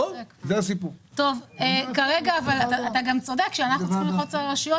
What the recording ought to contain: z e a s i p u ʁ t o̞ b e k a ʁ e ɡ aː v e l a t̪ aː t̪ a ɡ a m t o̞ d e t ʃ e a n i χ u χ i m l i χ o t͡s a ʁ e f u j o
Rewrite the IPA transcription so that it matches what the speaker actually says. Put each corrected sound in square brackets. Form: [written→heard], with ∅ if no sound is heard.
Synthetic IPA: z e a s i p u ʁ t o̞ [b→v] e k a ʁ e ɡ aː v [e→a] l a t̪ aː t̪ a ɡ a m [t→t͡s] o̞ d e [t→k] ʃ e a n [i→a] χ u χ i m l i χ o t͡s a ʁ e [f→ʃ] u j o